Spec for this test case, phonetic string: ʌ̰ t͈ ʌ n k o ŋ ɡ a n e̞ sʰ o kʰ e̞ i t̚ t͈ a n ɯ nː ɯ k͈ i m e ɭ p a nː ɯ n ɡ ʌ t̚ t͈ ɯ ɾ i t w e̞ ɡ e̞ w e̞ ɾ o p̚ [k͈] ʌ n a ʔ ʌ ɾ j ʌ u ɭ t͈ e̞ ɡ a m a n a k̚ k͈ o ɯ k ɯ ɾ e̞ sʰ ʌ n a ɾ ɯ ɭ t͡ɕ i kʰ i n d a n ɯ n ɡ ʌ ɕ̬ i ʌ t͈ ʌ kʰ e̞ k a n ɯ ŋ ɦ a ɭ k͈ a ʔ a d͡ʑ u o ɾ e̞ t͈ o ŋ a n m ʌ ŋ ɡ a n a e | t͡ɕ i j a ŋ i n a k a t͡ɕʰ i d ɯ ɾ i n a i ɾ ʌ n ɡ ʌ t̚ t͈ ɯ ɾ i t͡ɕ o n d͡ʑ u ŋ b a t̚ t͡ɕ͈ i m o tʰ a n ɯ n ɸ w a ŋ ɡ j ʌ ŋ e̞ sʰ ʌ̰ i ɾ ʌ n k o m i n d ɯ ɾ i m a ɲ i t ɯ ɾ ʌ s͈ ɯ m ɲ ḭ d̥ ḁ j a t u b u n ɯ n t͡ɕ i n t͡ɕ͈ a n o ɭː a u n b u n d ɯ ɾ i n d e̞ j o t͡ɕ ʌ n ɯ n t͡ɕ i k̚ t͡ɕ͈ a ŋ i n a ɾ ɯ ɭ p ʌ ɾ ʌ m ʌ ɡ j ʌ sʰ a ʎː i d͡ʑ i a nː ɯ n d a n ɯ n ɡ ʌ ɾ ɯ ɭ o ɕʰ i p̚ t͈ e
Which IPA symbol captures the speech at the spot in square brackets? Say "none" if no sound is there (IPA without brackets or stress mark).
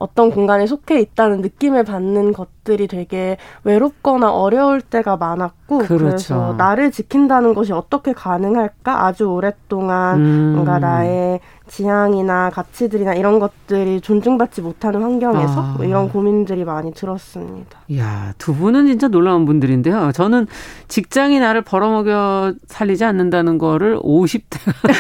k͈